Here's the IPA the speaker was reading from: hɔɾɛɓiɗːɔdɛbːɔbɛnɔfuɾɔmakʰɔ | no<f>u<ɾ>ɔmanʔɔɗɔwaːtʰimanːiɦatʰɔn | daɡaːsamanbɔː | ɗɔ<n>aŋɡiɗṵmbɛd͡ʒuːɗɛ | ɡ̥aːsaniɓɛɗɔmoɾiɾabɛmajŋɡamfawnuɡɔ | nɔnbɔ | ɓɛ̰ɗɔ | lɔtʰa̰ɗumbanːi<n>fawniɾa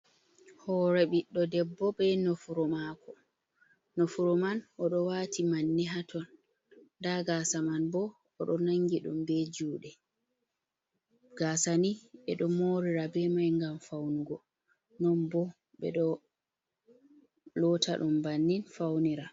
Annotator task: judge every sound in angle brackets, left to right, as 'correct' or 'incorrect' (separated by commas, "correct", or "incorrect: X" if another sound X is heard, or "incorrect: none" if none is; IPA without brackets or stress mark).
correct, correct, correct, correct